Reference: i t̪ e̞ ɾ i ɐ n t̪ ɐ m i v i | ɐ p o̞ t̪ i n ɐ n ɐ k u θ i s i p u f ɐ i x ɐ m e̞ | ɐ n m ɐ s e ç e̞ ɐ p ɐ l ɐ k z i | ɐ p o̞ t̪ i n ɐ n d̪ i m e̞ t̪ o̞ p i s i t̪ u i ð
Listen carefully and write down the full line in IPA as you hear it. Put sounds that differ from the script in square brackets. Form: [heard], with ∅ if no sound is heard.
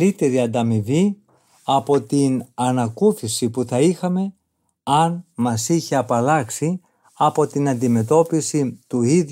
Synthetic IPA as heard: i t̪ e̞ ɾ i ɐ n [d̪] ɐ m i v i | ɐ p o̞ t̪ i n ɐ n ɐ k u θ i s i p u [θ] ɐ i x ɐ m e̞ | ɐ n m ɐ s [i] ç e̞ ɐ p ɐ l ɐ k [s] i | ɐ p o̞ t̪ i n ɐ n d̪ i m e̞ t̪ o̞ p i s i t̪ u i ð